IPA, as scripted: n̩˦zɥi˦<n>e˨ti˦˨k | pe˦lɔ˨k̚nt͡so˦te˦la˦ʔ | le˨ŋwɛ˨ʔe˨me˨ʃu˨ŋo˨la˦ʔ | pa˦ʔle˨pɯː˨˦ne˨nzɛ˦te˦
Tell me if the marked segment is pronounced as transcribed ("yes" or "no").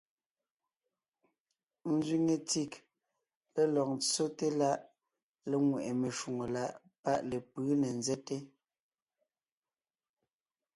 no